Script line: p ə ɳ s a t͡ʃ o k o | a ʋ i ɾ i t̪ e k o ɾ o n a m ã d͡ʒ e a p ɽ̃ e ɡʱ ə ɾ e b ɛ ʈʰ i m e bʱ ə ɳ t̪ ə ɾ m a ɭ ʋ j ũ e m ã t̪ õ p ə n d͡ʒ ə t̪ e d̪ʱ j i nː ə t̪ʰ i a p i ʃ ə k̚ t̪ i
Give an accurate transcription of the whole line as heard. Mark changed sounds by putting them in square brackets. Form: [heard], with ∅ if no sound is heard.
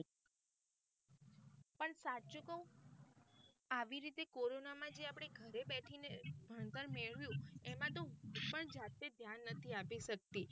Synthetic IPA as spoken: p ə ɳ s a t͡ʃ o k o | a ʋ i ɾ i t̪ e k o ɾ o n a m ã d͡ʒ e a p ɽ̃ e ɡʱ ə ɾ e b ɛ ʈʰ i [n] e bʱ ə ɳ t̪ ə ɾ m [e] ɭ ʋ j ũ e m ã t̪ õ p ə [ɳ] d͡ʒ [a] t̪ e d̪ʱ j [a] nː ə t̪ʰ i a p i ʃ ə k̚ t̪ i